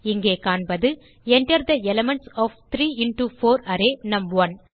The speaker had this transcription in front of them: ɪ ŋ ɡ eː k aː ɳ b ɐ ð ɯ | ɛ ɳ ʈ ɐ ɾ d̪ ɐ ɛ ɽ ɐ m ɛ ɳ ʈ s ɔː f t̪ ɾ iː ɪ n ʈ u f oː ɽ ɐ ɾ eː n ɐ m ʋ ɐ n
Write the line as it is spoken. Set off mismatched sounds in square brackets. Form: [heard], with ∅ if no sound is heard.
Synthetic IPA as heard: ɪ ŋ ɡ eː k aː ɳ b ɐ ð ɯ | ɛ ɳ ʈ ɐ ɾ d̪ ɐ ɛ [l] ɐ m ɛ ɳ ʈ s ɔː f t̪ ɾ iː ɪ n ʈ u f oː [ɾ] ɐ ɾ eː n ɐ m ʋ ɐ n

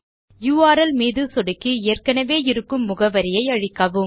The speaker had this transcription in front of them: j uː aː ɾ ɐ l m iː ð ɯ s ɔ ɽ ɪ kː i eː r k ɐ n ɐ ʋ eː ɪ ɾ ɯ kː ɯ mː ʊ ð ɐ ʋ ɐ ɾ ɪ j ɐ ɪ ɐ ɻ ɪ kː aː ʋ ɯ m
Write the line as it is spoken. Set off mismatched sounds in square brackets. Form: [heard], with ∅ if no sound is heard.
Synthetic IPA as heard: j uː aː ɾ ɐ l m iː ð ɯ s ɔ ɽ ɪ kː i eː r k ɐ n ɐ ʋ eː ɪ ɾ ɯ kː ɯ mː ʊ [ɣ] ɐ ʋ ɐ ɾ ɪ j ɐ ɪ ɐ ɻ ɪ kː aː ʋ ɯ m

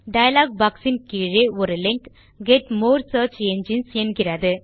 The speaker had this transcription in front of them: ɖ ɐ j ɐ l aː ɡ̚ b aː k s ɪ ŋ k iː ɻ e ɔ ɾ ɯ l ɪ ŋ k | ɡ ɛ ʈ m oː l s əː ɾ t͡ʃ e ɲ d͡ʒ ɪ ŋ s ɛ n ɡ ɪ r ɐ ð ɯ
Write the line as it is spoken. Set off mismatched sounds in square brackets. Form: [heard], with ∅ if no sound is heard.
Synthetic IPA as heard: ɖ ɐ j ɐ l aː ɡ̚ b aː k s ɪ [n] k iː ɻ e ɔ ɾ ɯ l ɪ ŋ k | ɡ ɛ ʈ m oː [ɾ] s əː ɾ t͡ʃ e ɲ d͡ʒ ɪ [n] s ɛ n ɡ ɪ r ɐ ð ɯ

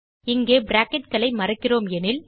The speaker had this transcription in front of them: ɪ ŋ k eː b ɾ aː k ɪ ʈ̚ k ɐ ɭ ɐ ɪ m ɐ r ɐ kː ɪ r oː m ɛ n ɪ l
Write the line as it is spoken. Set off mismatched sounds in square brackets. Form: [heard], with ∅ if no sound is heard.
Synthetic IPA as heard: ɪ ŋ [ɡ] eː b ɾ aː k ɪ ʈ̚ k ɐ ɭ ɐ ɪ m ɐ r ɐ kː ɪ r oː m ɛ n ɪ l

